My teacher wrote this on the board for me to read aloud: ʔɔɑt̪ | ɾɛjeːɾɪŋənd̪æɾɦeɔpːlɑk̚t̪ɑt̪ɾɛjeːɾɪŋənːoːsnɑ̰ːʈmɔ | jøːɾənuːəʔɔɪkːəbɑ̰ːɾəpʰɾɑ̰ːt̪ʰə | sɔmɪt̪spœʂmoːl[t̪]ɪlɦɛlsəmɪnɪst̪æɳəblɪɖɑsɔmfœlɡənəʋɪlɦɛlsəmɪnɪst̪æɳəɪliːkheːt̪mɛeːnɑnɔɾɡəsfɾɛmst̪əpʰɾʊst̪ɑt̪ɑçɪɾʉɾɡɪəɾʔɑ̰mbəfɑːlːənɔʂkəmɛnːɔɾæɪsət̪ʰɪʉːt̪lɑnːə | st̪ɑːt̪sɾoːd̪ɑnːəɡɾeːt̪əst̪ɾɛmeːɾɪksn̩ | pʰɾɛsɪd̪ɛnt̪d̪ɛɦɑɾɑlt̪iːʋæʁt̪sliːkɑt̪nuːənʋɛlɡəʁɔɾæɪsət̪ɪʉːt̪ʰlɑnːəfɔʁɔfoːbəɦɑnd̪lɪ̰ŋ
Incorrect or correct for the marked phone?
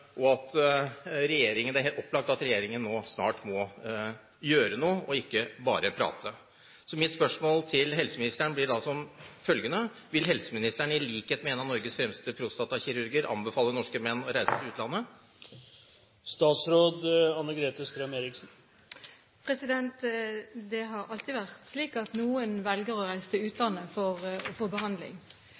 incorrect: t̪ʰ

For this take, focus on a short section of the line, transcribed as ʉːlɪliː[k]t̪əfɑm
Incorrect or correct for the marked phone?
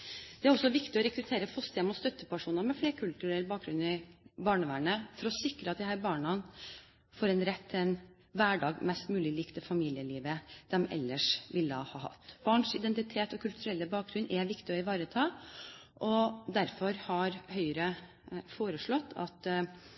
correct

